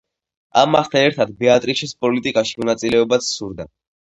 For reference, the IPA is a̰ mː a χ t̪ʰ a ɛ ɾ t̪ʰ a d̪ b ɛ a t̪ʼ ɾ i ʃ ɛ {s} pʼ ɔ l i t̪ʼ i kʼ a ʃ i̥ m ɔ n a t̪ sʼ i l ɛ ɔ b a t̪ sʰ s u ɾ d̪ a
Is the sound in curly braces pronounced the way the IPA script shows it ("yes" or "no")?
yes